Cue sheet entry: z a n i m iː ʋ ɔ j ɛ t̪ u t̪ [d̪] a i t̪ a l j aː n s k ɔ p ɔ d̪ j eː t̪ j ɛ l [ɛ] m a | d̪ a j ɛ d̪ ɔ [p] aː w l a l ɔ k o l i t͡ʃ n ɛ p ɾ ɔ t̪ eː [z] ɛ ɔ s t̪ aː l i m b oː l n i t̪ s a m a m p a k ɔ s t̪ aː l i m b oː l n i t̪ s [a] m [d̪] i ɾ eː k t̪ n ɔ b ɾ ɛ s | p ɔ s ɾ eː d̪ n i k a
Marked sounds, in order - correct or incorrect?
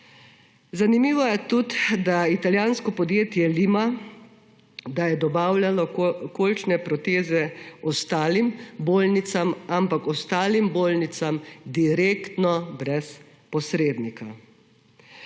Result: correct, incorrect: i, incorrect: b, correct, correct, correct

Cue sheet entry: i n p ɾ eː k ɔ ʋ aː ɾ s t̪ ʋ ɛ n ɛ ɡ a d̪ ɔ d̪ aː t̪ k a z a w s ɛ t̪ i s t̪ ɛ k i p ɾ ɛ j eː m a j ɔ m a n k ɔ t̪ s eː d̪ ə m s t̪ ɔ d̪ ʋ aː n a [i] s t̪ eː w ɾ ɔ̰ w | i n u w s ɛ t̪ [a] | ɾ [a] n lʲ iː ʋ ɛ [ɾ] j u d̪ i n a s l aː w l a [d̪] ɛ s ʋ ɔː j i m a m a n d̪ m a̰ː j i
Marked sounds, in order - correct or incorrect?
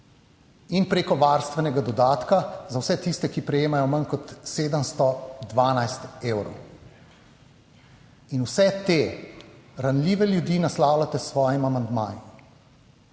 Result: incorrect: j, incorrect: e, correct, incorrect: l, incorrect: t̪

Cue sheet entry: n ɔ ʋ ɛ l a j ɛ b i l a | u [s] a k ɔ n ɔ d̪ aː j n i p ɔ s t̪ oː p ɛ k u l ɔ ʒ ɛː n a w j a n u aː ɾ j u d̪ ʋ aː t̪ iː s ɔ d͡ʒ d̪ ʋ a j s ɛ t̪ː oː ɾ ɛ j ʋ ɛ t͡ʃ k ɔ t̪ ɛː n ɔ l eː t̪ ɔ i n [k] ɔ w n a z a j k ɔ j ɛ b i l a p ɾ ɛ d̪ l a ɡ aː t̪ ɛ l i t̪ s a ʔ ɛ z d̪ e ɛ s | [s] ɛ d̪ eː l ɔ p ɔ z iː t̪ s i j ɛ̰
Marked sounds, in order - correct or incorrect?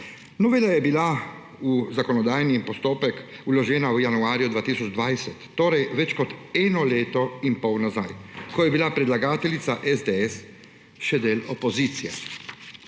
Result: incorrect: z, incorrect: p, incorrect: ʃ

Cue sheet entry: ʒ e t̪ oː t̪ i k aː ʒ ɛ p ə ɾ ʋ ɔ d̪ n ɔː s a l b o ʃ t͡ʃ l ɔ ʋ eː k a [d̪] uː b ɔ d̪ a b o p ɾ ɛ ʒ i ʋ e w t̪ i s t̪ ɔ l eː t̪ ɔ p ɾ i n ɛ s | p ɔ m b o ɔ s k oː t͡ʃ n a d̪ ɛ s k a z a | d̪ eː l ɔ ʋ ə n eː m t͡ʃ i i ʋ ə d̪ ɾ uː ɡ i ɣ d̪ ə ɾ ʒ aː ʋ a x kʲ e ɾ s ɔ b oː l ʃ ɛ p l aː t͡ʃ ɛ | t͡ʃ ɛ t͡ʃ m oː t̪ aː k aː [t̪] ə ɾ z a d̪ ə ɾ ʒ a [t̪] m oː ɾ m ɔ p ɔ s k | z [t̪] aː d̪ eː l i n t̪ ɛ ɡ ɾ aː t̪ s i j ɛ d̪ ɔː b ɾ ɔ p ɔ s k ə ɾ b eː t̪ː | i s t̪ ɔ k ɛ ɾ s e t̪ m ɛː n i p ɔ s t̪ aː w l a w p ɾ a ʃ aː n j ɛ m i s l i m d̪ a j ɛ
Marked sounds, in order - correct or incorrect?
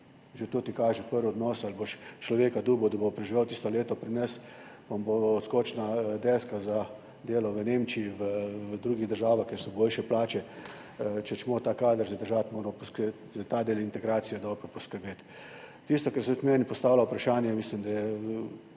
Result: correct, incorrect: d̪, correct, correct

